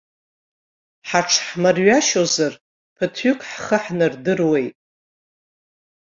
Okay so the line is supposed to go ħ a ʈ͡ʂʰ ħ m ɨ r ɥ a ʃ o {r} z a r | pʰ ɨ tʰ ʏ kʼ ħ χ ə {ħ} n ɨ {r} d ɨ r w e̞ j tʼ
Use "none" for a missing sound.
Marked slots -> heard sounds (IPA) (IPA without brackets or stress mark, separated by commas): none, ħ, r